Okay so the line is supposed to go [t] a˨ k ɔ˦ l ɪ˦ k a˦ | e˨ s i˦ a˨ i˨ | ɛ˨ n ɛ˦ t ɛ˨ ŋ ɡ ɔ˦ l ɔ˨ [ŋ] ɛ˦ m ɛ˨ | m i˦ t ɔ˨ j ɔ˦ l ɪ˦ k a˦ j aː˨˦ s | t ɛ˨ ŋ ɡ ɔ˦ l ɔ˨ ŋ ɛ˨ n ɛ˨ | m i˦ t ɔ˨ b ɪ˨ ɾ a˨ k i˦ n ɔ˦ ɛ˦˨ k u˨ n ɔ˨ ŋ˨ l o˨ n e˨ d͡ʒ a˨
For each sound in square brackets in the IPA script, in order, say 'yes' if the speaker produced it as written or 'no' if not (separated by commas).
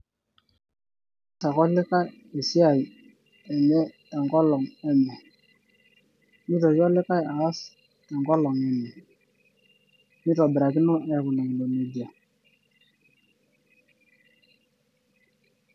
yes, yes